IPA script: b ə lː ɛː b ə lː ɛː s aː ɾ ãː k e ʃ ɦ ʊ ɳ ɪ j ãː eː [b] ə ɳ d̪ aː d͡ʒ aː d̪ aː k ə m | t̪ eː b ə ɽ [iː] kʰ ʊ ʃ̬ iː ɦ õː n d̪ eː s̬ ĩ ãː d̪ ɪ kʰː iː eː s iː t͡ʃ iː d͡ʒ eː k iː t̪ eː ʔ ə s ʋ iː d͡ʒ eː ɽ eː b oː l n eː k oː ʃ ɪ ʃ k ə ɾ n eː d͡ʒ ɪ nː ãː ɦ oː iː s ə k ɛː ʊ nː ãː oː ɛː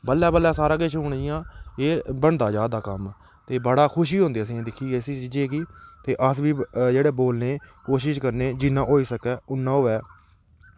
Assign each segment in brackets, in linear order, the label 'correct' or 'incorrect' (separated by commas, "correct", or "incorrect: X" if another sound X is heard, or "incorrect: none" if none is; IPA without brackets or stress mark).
correct, incorrect: aː